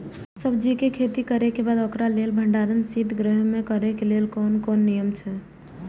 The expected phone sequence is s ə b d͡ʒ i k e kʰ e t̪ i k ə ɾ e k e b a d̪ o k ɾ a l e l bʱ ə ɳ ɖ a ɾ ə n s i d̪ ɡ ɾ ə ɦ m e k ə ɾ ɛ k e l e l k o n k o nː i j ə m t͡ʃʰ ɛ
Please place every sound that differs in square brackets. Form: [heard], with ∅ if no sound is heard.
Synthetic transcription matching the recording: s ə b d͡ʒ i k e kʰ e t̪ i k ə ɾ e k e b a d̪ o k ɾ a l e l bʱ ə ɳ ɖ a ɾ ə n s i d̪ ɡ ɾ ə ɦ m e k ə ɾ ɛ k e l e l k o n k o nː i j ə m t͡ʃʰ ɛ